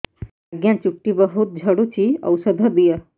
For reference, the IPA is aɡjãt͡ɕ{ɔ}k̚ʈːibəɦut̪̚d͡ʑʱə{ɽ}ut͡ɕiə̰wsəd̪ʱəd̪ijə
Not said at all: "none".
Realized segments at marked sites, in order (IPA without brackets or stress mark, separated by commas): u, ɽ